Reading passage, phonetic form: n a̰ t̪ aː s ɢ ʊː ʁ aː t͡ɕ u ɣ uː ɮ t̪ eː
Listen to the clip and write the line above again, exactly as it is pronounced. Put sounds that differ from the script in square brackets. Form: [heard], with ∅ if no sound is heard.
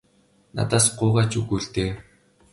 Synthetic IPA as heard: n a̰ t̪ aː s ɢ ʊː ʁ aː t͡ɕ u ɣ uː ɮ t̪ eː